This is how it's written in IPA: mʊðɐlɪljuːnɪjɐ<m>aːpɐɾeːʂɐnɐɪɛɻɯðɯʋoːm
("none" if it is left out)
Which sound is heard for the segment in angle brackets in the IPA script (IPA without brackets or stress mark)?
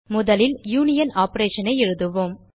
n